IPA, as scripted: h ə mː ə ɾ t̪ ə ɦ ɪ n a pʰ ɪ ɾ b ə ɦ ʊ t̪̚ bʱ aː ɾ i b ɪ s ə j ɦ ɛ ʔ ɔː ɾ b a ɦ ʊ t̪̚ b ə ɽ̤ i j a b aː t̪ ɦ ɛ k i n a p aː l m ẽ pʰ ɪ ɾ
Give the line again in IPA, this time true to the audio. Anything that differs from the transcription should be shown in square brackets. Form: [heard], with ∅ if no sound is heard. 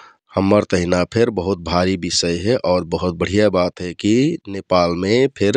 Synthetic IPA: h ə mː ə ɾ t̪ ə ɦ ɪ n a pʰ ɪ ɾ b ə ɦ ʊ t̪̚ bʱ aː ɾ i b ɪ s ə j ɦ ɛ ʔ ɔː ɾ b [ə] ɦ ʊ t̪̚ b ə ɽ̤ i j a b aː t̪ ɦ ɛ k i n [e] p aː l m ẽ pʰ ɪ ɾ